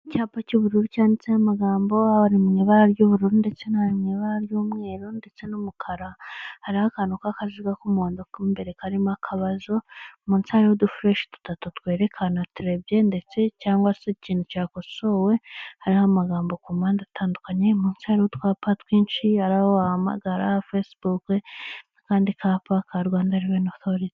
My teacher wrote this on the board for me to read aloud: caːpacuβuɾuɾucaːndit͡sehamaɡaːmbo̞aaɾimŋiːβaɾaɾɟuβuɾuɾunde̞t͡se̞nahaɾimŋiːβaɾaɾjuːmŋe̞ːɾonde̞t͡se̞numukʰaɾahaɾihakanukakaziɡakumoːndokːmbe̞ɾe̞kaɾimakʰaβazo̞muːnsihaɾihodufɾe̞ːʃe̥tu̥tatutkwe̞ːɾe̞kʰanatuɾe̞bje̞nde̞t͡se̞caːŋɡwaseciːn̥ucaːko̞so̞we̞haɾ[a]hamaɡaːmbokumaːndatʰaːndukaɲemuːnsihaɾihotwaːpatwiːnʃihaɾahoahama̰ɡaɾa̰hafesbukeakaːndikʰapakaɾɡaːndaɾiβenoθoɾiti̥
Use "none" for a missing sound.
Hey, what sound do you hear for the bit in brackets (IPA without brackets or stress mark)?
i